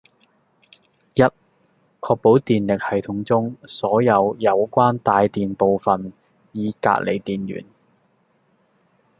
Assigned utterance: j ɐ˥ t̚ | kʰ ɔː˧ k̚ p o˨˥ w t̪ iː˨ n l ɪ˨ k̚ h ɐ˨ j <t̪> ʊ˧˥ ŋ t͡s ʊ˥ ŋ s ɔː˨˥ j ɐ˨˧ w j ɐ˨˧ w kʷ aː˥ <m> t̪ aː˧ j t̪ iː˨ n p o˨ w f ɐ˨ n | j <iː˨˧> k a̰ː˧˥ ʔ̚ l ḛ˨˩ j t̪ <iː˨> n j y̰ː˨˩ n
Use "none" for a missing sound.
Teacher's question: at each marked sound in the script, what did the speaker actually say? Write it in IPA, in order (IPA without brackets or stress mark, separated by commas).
t̪ʰ, n, iː˨˧, iː˨